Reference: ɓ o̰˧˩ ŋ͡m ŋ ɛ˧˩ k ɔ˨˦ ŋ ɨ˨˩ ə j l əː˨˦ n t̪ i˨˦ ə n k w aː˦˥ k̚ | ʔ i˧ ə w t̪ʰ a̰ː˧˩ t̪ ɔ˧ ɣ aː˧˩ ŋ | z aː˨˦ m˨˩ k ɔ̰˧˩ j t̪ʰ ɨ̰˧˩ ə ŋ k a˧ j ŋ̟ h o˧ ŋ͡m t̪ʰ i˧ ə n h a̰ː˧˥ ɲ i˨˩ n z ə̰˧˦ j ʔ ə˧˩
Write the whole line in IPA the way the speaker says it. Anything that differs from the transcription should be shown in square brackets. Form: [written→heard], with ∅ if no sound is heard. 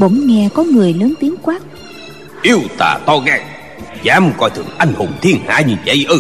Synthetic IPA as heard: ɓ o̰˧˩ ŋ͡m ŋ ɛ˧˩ k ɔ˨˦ ŋ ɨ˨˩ ə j l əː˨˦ n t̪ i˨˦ ə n k w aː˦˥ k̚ | ʔ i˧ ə w [t̪ʰ→t̪] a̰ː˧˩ t̪ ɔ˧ ɣ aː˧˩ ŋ | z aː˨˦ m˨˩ k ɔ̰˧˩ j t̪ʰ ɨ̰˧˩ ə ŋ [k→ʔ] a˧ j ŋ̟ h [o˧→o˨˩] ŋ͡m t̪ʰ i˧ ə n h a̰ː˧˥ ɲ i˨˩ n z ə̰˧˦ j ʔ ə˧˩